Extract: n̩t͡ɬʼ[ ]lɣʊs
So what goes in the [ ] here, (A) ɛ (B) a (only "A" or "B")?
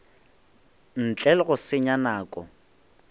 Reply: A